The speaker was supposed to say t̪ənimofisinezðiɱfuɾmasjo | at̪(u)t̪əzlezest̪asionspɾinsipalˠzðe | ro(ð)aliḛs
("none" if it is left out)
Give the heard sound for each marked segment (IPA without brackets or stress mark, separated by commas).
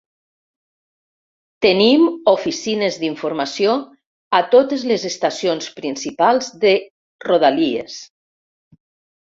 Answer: o, ð